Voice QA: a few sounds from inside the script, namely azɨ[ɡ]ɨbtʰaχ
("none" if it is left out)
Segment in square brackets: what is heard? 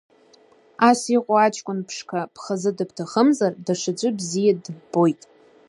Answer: d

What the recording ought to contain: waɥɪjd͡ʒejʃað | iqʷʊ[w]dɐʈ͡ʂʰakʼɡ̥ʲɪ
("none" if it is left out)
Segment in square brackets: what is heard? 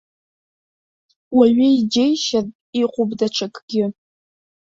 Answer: b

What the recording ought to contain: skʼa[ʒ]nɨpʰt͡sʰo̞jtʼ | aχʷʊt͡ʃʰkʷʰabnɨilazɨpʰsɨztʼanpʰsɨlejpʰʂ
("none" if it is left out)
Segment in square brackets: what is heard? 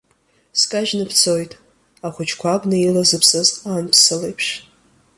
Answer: ʒ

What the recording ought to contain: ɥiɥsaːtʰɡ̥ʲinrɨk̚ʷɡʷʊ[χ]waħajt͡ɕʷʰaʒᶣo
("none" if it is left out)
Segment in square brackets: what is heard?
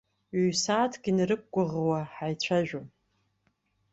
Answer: ʁ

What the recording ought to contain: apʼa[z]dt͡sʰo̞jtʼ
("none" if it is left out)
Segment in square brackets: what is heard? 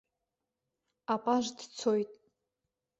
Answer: ʒ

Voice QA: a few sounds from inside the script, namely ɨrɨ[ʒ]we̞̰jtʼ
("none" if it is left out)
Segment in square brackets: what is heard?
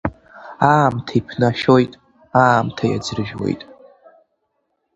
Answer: ʒ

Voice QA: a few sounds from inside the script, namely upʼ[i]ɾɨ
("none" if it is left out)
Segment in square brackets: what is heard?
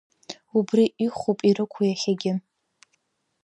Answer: i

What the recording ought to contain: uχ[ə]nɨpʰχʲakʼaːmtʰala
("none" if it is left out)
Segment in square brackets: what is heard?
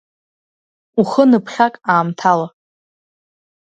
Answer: ə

